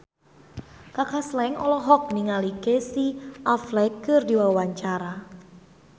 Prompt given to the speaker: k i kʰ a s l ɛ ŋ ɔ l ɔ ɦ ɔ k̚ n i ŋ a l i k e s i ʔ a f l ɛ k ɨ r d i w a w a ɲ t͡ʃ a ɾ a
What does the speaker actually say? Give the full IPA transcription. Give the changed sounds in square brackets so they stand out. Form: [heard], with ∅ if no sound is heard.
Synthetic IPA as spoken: k [a] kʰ a s l ɛ ŋ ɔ l ɔ ɦ ɔ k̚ n i ŋ a l i k e s i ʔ a f l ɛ k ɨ r d i w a w a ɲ t͡ʃ a ɾ a